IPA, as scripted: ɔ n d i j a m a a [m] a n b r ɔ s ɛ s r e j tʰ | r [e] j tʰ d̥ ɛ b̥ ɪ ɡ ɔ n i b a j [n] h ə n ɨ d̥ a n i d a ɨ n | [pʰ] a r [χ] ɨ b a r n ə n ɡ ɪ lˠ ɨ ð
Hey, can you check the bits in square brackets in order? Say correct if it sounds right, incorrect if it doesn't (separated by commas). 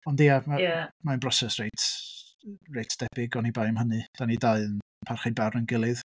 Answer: correct, correct, incorrect, correct, correct